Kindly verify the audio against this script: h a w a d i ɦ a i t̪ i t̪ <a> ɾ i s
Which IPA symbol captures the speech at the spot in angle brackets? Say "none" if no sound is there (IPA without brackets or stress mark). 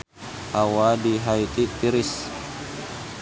i